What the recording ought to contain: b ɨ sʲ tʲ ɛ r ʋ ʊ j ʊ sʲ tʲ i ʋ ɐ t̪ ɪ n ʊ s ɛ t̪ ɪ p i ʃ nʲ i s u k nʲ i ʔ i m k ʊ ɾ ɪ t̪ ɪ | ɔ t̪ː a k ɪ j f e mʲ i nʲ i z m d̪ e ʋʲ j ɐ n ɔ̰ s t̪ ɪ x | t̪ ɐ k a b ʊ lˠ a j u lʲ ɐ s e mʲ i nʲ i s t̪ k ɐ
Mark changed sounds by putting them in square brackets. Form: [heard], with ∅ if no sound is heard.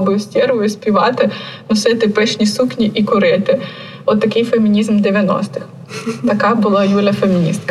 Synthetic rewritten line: b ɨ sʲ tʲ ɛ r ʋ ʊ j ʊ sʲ [pʲ] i ʋ [ɑ] t̪ ɪ n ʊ s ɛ t̪ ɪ p [ɛ] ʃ nʲ i s u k nʲ i ʔ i [∅] k ʊ ɾ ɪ t̪ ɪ | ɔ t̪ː [ɐ] k ɪ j f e mʲ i nʲ i z m d̪ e ʋʲ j ɐ n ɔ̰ s t̪ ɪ x | t̪ ɐ k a b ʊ lˠ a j u lʲ ɐ [f] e mʲ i nʲ i s t̪ k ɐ